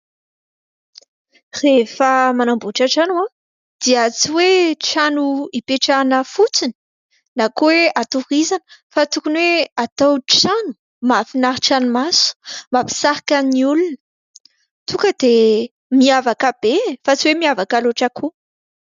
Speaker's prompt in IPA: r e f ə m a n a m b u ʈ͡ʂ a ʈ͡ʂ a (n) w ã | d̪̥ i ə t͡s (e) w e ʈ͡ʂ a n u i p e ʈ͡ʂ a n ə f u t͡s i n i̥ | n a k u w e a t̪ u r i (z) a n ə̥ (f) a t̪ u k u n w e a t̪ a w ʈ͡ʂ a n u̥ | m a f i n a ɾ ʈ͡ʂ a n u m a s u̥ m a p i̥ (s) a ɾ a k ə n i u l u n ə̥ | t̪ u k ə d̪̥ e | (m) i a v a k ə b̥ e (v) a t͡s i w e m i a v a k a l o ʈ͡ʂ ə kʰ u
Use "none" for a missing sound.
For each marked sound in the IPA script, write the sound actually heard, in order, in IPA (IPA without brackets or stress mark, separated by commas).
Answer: n, i, z, f, s, m, f